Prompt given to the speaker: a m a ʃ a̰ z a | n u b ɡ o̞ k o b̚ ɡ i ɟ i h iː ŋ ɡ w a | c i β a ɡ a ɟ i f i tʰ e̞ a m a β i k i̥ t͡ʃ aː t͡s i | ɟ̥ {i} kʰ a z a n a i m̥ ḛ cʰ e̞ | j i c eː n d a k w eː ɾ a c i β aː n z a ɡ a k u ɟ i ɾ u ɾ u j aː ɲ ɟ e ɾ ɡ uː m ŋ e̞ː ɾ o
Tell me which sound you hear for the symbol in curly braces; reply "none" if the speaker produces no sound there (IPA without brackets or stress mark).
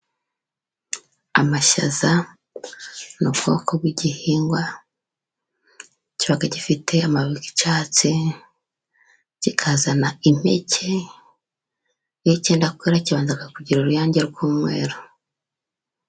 i